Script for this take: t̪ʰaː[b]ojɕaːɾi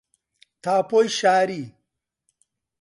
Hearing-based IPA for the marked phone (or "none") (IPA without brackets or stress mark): p